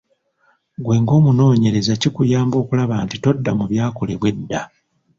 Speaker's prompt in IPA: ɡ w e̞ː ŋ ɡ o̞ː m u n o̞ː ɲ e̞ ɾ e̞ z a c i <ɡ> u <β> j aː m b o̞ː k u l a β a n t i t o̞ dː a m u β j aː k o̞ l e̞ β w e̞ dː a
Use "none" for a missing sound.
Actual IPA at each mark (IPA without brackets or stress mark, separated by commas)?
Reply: k, none